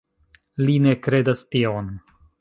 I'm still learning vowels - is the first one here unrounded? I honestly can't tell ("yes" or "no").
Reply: yes